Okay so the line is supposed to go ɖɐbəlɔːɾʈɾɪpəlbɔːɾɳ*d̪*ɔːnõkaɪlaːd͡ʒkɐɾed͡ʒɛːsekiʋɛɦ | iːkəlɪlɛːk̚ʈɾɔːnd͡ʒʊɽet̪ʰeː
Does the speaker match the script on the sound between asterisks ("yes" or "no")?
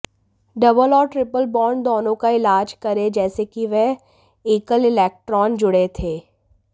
yes